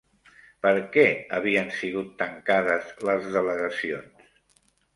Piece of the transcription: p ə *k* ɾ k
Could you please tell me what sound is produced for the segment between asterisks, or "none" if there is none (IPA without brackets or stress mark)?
none